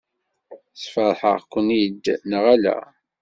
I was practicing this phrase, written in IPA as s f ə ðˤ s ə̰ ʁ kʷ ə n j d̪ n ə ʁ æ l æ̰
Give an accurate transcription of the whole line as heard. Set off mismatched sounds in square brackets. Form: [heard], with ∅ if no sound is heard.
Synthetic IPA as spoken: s f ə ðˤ [ħ] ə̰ ʁ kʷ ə n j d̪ n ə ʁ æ l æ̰

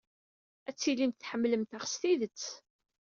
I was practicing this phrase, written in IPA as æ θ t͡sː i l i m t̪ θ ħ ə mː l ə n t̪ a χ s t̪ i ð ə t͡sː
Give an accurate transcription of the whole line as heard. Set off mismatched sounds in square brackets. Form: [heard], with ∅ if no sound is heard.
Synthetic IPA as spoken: æ [∅] t͡sː i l i m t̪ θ ħ ə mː l ə [m] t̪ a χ s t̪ i ð ə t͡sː

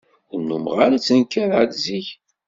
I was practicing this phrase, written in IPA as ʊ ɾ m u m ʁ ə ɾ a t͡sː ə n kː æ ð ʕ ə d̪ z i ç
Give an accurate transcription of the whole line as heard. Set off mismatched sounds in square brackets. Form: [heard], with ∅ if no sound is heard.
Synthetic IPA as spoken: ʊ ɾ [n] u m ʁ [a] ɾ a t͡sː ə n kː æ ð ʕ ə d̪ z i ç

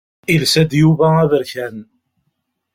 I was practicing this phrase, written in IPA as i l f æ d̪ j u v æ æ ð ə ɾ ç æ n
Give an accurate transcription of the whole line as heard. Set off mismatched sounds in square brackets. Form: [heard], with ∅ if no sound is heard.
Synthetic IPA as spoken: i l [s] æ d̪ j u v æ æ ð ə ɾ ç æ n

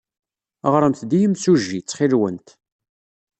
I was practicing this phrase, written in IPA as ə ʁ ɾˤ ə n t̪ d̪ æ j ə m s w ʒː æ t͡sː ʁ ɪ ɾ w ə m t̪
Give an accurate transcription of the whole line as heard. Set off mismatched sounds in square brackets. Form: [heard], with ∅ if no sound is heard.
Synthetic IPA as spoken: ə ʁ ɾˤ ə [m] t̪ d̪ [i] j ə m s [u] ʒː [i] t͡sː [χ] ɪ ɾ w ə [n] t̪

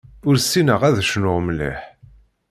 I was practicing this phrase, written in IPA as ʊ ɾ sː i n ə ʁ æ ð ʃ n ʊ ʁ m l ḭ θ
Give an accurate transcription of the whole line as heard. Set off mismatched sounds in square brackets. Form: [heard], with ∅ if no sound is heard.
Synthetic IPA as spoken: ʊ ɾ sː i n ə ʁ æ ð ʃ n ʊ ʁ m l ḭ [ħ]

